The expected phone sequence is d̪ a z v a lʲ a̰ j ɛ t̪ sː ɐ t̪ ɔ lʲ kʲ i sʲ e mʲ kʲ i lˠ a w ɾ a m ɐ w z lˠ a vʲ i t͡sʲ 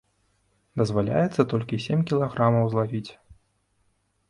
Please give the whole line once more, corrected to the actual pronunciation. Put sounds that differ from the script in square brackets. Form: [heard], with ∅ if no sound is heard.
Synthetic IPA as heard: d̪ [ɐ] z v a lʲ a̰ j ɛ t̪ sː ɐ t̪ ɔ lʲ kʲ i sʲ e mʲ kʲ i lˠ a [ɣ] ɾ a m ɐ w z lˠ a vʲ i t͡sʲ